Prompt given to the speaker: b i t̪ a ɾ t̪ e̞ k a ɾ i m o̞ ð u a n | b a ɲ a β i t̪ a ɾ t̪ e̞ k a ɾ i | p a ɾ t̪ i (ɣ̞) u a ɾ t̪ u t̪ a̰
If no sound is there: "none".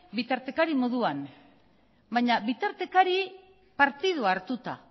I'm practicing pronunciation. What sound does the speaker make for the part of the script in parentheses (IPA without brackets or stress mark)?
ð̞